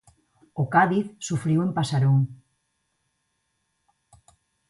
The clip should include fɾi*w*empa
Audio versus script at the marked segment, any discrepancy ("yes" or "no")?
no